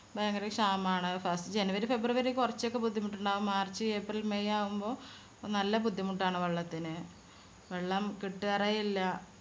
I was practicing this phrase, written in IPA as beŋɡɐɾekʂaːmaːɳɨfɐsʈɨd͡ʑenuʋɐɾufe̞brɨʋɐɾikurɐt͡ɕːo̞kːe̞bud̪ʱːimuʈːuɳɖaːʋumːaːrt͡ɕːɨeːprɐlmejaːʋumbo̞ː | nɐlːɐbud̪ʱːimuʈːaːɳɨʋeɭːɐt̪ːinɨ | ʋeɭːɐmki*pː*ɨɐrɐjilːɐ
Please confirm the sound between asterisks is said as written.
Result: no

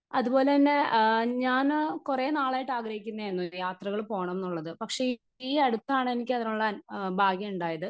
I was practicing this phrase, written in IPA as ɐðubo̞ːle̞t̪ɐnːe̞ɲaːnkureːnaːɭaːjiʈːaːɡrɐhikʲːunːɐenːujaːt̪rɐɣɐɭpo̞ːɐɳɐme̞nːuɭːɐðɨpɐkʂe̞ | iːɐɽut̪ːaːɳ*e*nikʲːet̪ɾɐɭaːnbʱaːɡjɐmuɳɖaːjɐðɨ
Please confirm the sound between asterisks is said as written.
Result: yes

